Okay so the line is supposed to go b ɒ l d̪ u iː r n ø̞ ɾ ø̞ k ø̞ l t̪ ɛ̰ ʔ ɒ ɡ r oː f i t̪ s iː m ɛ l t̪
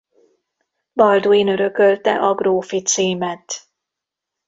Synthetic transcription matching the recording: b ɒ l d̪ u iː n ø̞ ɾ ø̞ k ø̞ l t̪ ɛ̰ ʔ ɒ ɡ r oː f i t̪ s iː m ɛ t̪